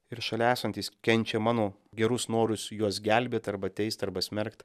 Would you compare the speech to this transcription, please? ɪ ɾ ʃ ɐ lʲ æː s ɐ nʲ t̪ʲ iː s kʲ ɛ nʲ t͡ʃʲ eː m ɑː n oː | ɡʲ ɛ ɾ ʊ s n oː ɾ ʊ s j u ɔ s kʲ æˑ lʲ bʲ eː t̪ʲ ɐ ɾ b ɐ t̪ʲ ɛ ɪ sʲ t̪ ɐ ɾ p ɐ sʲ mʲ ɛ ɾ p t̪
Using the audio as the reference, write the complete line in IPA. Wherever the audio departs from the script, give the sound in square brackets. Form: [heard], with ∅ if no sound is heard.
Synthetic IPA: ɪ ɾ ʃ ɐ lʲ æː s ɐ nʲ t̪ʲ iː s kʲ ɛ nʲ t͡ʃʲ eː m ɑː n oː | ɡʲ ɛ ɾ ʊ s n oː ɾ ʊ s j u ɔ s [ɡʲ] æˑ lʲ bʲ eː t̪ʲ ɐ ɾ b ɐ t̪ʲ ɛ ɪ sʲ t̪ ɐ ɾ [b] ɐ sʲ mʲ ɛ ɾ [k] t̪